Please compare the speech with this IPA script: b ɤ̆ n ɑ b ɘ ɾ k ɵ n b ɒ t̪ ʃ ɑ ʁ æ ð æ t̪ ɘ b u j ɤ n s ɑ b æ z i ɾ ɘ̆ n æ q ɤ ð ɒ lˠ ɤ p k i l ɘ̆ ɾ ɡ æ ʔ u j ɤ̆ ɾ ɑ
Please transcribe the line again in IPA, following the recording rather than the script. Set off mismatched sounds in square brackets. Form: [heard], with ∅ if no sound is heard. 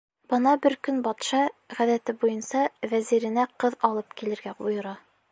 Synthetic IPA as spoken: b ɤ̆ n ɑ b ɘ ɾ k ɵ n b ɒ t̪ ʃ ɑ ʁ æ ð æ t̪ ɘ b u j ɤ n s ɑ [v] æ z i ɾ ɘ̆ n æ q ɤ ð ɒ lˠ ɤ p k i l ɘ̆ ɾ ɡ æ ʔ u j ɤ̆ ɾ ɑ